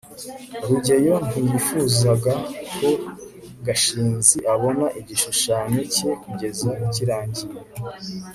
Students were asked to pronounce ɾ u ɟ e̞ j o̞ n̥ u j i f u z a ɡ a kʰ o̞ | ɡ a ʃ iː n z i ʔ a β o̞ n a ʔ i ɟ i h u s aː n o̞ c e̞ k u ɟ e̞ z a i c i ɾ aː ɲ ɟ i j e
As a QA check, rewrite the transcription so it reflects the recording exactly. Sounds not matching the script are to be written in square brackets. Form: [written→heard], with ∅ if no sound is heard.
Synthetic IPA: ɾ u ɟ e̞ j o̞ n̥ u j i f u z a ɡ a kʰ o̞ | ɡ a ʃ iː n z i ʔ a β o̞ n a ʔ i ɟ i [h→ʃ] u [s→ʃ] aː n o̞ c e̞ k u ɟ e̞ z a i c i ɾ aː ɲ ɟ i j e